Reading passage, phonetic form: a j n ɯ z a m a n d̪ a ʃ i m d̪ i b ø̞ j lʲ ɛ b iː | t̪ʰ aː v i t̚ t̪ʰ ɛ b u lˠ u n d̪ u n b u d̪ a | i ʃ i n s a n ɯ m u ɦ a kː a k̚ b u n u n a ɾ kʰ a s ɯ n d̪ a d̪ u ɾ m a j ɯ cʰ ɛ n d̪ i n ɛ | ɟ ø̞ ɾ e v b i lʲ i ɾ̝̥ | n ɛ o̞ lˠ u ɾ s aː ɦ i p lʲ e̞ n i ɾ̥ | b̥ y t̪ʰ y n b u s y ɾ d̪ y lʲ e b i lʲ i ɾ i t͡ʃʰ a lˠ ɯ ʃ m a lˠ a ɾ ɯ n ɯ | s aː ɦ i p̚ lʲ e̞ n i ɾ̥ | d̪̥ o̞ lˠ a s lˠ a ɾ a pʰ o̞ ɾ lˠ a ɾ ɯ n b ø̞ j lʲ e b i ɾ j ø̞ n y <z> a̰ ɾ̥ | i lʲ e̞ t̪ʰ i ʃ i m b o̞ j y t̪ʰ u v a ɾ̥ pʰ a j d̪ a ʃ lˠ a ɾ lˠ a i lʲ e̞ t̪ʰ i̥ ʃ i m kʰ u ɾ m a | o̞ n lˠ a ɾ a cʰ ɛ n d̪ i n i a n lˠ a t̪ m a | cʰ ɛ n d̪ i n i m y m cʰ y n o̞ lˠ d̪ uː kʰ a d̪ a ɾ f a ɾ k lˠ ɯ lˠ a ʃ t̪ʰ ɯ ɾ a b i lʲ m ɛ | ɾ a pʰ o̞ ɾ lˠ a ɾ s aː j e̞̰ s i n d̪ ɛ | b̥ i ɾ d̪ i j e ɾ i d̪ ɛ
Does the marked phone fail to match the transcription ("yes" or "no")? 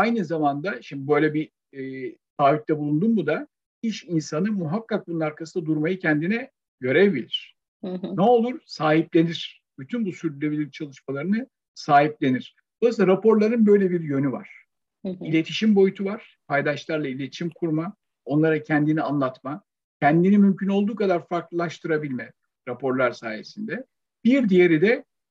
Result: yes